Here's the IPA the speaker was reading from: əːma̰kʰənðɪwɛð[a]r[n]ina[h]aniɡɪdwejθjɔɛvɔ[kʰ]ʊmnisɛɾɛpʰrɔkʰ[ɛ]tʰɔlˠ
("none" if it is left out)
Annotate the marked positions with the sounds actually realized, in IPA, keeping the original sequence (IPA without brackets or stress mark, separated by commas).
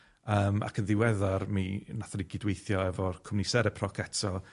a, m, θ, kʰ, ɛ